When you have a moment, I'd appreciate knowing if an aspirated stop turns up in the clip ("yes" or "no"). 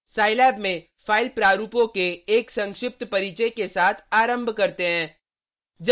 yes